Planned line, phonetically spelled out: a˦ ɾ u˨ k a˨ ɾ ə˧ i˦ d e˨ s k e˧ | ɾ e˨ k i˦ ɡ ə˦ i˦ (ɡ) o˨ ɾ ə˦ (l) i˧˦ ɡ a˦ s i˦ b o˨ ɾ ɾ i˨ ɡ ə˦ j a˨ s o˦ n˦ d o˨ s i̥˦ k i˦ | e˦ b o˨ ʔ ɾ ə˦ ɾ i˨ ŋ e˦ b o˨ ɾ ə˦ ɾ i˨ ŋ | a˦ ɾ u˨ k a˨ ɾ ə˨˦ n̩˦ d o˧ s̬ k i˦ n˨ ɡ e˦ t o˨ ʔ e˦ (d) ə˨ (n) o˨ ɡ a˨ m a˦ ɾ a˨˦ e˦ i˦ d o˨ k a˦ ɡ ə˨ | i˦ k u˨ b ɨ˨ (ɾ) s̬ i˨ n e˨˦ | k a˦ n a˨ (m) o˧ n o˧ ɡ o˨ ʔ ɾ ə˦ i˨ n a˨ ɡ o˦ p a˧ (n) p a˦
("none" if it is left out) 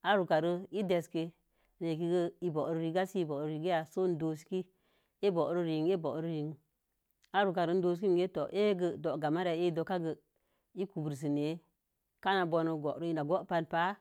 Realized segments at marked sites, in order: b, ɾ, ɡ, d, ɾ, b, n

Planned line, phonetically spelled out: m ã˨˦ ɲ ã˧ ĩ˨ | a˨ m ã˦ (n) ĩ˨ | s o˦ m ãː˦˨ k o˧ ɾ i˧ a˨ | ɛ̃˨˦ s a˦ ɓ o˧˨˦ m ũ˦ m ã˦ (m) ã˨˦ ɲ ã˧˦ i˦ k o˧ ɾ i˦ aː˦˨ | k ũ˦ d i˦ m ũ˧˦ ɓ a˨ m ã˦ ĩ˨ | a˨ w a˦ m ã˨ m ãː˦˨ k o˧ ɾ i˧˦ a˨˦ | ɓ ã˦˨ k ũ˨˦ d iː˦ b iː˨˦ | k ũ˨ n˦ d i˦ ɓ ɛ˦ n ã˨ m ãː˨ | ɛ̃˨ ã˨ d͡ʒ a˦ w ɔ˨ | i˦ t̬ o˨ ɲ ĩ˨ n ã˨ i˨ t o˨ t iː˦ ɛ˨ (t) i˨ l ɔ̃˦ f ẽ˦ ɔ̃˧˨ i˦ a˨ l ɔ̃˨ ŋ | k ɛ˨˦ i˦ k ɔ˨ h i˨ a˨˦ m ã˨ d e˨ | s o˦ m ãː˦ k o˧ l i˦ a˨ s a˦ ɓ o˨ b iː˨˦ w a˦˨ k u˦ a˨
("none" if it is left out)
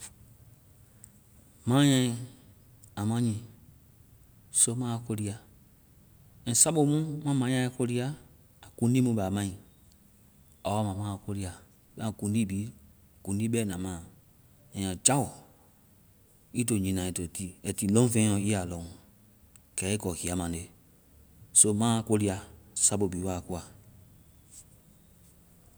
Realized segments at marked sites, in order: ɲ, m, t

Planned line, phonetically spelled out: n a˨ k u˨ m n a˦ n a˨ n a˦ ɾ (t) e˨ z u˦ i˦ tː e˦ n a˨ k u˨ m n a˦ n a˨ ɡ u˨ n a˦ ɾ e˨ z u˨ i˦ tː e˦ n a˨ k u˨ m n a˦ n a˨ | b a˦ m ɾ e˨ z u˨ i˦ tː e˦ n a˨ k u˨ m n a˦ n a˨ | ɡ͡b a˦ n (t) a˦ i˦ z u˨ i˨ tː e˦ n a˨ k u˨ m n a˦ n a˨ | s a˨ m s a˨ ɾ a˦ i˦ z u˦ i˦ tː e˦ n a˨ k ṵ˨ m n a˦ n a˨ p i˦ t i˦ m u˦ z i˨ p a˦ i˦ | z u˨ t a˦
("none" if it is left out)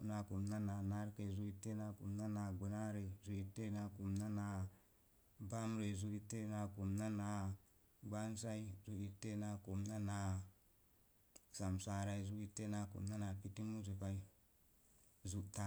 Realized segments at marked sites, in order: k, s

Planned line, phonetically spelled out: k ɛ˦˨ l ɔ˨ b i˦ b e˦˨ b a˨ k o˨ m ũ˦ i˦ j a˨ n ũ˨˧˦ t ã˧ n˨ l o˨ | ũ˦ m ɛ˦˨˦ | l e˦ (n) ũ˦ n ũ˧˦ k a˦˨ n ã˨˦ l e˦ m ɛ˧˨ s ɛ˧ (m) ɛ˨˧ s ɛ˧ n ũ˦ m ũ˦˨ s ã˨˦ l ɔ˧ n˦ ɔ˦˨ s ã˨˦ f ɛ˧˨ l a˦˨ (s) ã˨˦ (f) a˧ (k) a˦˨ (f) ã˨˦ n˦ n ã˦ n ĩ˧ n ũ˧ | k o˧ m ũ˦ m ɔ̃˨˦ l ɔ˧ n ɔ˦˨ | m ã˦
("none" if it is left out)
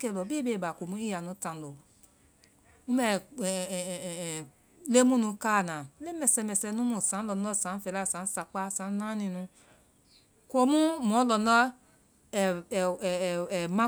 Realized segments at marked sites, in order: m, m, s, s, k͡p, s

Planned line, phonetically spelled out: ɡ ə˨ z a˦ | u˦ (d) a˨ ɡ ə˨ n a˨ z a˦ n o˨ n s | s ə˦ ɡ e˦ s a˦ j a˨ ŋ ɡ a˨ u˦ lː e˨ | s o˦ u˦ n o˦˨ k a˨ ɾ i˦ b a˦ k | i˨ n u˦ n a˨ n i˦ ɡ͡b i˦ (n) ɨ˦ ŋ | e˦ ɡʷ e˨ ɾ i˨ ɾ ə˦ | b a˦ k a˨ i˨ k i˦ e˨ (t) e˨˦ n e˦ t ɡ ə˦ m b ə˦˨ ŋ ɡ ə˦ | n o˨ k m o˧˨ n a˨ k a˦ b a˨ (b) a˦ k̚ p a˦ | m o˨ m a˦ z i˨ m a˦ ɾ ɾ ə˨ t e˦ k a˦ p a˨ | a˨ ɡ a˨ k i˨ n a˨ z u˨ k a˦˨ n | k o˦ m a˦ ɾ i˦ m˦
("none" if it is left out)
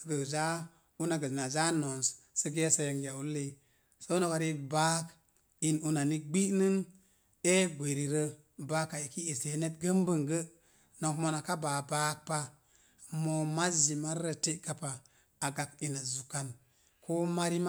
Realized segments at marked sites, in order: n, n, s, b

